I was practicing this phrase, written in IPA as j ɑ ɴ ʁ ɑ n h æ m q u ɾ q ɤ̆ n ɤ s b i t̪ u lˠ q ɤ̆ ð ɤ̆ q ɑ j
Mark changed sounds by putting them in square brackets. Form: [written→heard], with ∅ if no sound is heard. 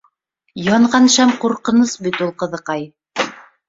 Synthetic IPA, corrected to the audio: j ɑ ɴ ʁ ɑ n [h→ʃ] æ m q u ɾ q ɤ̆ n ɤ s b i t̪ u lˠ q ɤ̆ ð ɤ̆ q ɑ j